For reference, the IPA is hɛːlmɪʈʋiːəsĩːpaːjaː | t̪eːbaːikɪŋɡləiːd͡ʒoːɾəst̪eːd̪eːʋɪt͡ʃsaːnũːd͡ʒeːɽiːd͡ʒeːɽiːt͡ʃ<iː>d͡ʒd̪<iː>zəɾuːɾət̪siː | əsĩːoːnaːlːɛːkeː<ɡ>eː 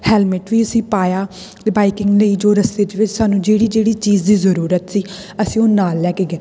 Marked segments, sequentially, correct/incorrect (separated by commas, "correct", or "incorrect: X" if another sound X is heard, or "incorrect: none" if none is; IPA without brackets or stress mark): correct, correct, correct